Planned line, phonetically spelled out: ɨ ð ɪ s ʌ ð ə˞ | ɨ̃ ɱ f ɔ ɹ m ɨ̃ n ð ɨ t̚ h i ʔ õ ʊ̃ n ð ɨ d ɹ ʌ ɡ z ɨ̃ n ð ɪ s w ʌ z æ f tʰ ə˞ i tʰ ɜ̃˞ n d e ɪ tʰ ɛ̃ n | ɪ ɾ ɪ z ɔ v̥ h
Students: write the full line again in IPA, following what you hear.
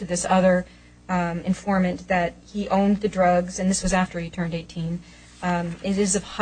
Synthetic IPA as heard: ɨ ð ɪ s ʌ ð ə˞ | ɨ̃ ɱ f ɔ ɹ m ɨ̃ n ð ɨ t̚ h i ʔ õ ʊ̃ n ð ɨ d ɹ ʌ ɡ z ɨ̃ n ð ɪ s w ʌ z æ f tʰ ə˞ i tʰ ɜ̃˞ n d e ɪ tʰ ĩ n | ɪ ɾ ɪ z ʌ v̥ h